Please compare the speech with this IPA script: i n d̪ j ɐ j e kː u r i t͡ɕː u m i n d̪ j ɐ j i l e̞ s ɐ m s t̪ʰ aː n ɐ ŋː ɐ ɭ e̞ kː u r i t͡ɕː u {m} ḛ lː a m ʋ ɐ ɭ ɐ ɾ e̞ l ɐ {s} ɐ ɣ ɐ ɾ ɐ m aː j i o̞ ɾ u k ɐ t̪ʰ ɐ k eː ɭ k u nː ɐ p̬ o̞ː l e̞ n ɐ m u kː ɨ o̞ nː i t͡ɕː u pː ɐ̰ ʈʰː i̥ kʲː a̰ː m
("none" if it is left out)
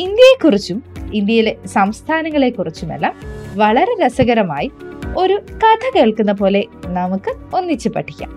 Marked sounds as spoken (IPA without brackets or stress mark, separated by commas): m, s